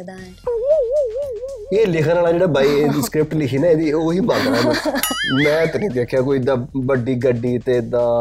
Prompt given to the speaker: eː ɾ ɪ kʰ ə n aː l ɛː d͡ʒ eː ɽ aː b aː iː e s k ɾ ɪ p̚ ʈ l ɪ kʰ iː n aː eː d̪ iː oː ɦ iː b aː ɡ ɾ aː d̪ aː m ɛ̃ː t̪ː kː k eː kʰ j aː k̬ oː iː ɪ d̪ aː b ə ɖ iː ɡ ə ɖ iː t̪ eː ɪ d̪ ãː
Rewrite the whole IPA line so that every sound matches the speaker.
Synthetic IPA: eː l ɪ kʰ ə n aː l aː d͡ʒ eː ɽ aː b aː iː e s k ɾ ɪ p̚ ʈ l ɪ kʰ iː n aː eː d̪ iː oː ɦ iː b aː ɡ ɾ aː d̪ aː m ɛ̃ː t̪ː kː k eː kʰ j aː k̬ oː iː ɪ d̪ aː b ə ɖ iː ɡ ə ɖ iː t̪ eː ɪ d̪ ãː